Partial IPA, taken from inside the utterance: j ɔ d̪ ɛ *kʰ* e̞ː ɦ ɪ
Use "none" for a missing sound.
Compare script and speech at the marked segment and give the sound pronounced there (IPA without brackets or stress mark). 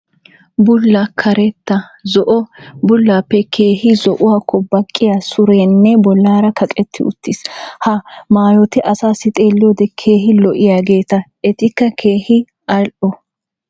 kʰ